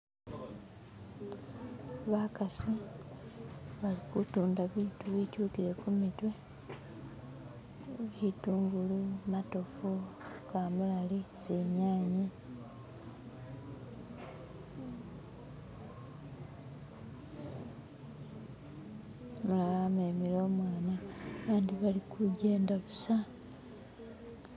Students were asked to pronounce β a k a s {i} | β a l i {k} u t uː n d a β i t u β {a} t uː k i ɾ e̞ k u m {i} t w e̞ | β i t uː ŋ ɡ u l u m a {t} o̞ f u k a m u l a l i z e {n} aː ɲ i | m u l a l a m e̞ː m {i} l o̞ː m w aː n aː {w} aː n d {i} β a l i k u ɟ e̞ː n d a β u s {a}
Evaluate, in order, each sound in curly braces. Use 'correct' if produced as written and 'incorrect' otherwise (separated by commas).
correct, correct, incorrect, correct, correct, incorrect, correct, incorrect, correct, correct